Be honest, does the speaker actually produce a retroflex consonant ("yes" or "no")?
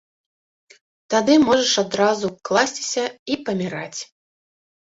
yes